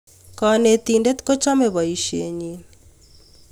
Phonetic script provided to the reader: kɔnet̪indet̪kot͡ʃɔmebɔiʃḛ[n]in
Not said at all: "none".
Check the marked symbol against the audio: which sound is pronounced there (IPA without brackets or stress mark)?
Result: ɲ